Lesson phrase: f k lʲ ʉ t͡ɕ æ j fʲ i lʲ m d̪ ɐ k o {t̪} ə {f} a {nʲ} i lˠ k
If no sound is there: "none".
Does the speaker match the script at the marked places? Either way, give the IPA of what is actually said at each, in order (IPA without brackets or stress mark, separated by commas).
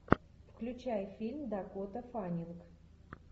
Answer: t̪, f, nʲ